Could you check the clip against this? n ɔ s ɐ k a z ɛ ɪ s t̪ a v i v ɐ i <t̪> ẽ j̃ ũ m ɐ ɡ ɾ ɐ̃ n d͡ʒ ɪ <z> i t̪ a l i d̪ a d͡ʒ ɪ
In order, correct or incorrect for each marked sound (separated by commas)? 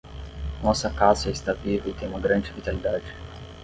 correct, incorrect